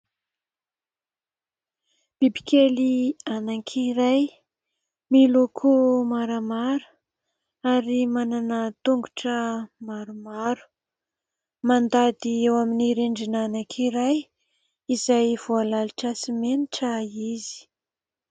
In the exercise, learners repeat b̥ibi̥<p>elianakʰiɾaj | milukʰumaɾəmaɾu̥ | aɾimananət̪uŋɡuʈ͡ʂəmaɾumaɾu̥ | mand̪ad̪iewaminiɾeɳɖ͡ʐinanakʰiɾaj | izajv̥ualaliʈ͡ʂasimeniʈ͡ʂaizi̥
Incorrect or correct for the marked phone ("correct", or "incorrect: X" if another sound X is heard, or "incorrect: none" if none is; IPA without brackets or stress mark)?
incorrect: k